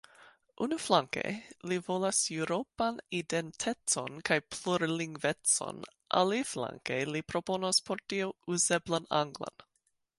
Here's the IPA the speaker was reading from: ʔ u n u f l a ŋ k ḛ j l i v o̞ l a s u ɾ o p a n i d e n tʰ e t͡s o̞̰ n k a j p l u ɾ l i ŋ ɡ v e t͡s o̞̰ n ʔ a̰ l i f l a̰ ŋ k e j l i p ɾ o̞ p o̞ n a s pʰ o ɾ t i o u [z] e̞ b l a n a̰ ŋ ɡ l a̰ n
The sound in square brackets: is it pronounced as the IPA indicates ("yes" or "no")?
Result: yes